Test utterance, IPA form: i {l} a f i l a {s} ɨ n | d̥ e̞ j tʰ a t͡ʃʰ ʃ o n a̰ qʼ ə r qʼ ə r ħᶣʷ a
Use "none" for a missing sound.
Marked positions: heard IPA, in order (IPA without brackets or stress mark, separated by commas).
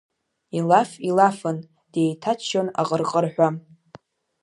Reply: l, f